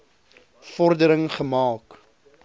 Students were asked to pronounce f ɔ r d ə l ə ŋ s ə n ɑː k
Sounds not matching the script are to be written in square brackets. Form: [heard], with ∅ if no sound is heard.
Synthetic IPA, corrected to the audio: f ɔ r d ə [ɾ] ə ŋ [χ] ə [m] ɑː k